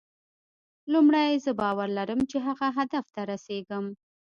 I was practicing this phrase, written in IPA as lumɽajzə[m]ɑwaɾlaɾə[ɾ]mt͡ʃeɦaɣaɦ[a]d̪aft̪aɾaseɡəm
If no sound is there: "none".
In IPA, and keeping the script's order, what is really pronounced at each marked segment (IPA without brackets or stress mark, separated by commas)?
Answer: b, none, a